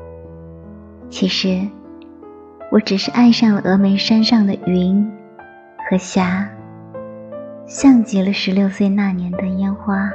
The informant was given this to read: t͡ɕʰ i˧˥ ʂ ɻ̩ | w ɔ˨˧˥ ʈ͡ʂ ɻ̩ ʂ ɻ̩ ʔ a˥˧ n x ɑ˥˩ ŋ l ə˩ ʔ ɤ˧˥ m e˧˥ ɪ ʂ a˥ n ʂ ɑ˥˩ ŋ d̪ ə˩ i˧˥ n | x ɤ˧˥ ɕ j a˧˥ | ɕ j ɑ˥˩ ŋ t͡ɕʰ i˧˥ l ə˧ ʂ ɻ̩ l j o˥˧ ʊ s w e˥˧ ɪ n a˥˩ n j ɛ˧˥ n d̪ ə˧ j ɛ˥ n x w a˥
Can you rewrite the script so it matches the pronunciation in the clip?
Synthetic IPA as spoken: t͡ɕʰ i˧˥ ʂ ɻ̩ | w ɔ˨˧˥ ʈ͡ʂ ɻ̩ ʂ ɻ̩ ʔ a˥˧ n ʂ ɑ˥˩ ŋ l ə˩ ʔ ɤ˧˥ m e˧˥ ɪ ʂ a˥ n ʂ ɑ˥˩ ŋ d̪ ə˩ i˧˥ n | x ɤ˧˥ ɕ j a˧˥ | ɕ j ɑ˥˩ ŋ t͡ɕ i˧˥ l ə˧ ʂ ɻ̩ l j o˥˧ ʊ s w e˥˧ ɪ n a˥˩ n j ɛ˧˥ n d̪ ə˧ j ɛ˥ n x w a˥